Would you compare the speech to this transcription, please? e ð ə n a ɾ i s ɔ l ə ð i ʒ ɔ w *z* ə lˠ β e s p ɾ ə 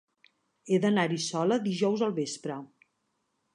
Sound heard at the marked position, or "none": z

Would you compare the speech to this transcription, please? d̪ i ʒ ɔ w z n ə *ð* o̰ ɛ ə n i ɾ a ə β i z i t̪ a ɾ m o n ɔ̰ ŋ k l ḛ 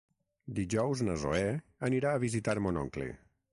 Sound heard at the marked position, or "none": z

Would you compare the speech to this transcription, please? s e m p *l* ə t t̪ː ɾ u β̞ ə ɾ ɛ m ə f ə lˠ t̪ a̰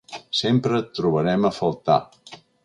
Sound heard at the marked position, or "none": ɾ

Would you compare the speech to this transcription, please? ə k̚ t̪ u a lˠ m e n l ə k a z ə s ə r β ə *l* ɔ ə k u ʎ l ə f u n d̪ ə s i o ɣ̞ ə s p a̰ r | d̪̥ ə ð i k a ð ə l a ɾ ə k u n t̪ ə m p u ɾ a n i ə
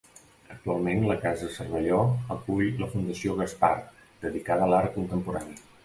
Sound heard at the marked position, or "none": ʎ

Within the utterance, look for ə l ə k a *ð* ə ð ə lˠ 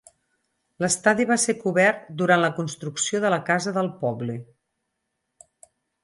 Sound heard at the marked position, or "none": z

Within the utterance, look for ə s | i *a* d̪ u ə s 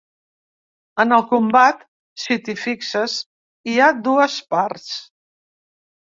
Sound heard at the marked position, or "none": a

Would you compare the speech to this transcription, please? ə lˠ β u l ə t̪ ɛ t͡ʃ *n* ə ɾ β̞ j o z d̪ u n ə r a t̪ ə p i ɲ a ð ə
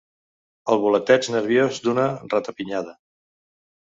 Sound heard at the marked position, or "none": n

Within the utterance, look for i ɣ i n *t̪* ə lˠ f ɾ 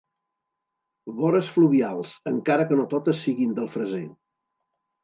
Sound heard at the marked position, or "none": d̪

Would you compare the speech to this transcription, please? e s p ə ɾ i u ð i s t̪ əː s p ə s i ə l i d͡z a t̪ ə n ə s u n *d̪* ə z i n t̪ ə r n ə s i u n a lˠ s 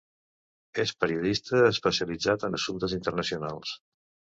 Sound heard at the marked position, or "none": t̪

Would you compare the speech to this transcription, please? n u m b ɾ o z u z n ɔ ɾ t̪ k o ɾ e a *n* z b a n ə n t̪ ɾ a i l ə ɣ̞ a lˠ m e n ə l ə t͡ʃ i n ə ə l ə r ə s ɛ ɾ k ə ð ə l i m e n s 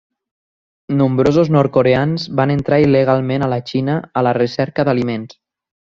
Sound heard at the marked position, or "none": n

